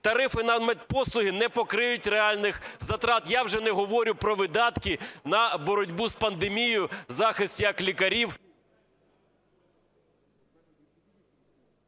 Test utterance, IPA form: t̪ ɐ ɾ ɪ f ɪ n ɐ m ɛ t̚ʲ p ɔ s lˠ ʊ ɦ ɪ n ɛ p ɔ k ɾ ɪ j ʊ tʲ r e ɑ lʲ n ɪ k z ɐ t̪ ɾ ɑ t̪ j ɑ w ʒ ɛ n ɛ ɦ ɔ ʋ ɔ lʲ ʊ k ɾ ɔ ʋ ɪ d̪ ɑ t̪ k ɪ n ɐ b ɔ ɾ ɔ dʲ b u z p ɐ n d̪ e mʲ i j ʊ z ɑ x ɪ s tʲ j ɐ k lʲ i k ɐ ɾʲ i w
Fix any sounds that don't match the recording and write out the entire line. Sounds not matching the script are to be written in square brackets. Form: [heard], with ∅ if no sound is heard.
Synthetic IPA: t̪ ɐ ɾ ɪ f ɪ n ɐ m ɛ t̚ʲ p ɔ s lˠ ʊ ɦ ɪ n ɛ p ɔ k ɾ ɪ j ʊ tʲ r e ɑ lʲ n ɪ [x] z ɐ t̪ ɾ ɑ t̪ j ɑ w ʒ ɛ n ɛ ɦ ɔ ʋ ɔ [ɾʲ] ʊ [p] ɾ ɔ ʋ ɪ d̪ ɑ t̪ k ɪ n ɐ b ɔ ɾ ɔ dʲ b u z p ɐ n d̪ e mʲ i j ʊ z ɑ x ɪ s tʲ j ɐ k lʲ i k ɐ ɾʲ i w